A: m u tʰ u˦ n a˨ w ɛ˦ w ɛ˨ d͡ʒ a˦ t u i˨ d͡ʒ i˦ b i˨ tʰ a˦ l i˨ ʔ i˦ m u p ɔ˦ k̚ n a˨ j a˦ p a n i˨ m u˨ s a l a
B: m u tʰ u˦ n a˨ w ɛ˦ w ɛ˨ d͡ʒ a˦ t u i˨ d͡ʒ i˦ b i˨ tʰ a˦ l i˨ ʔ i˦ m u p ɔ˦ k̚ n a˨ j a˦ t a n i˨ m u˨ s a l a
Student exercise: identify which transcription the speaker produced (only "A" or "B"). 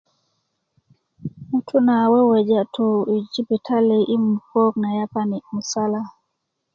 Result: A